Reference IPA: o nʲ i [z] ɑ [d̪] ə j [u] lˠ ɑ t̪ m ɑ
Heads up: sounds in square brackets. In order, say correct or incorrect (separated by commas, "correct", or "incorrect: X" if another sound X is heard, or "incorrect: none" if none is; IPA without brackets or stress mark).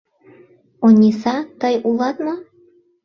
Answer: incorrect: s, incorrect: t̪, correct